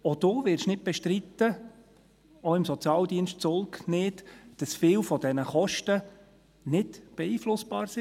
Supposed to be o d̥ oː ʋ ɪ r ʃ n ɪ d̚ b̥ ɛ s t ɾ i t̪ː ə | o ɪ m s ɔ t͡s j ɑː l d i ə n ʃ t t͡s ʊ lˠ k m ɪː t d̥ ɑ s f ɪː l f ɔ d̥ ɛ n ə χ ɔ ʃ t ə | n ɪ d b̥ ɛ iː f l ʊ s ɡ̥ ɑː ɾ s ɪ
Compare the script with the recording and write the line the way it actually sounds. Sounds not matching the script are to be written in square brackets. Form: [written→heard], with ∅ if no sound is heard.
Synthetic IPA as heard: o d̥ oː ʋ ɪ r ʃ n ɪ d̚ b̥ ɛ [s→ʃ] t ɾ i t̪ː ə | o ɪ m s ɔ t͡s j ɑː l d i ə n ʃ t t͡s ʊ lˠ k [m→n] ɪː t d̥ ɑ s f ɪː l f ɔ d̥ ɛ n ə χ ɔ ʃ t ə | n ɪ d b̥ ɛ iː f l ʊ s [ɡ̥→b̥] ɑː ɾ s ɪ